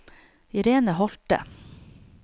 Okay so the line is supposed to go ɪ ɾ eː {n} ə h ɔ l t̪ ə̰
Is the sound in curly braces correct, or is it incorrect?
correct